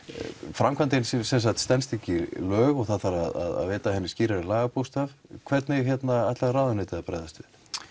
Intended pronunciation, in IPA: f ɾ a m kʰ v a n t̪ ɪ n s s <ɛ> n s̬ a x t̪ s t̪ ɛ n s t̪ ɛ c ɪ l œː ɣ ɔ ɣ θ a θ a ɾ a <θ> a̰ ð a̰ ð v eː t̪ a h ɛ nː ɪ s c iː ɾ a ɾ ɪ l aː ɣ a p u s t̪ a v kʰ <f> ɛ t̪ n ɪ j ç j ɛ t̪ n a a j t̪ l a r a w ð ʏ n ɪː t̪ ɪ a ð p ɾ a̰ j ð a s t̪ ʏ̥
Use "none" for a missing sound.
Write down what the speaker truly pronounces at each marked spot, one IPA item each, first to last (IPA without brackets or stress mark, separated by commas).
ɛ, ð, v